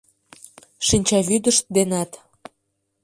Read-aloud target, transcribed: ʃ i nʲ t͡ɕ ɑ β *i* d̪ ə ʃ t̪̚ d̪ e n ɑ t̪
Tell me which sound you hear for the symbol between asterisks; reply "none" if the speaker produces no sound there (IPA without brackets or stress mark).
y